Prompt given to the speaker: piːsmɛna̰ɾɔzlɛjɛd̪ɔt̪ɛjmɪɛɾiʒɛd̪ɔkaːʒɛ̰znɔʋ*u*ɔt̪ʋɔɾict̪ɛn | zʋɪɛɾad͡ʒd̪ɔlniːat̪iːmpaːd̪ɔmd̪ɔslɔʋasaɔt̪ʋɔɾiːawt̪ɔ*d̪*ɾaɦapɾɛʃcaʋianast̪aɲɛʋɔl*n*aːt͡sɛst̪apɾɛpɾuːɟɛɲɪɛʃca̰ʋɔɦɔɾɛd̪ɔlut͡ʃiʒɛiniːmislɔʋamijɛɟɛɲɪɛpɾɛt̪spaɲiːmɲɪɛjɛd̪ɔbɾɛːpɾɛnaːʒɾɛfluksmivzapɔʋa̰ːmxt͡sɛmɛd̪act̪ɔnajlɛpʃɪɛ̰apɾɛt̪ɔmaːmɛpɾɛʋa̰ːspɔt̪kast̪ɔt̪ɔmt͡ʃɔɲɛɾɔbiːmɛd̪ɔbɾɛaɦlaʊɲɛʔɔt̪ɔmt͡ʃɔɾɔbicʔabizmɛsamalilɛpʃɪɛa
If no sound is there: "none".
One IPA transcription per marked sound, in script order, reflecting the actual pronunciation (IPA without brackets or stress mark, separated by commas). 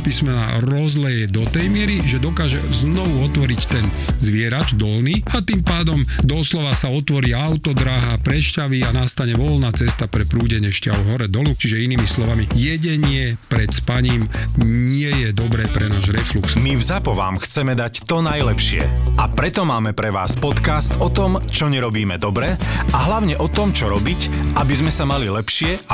u, d̪, n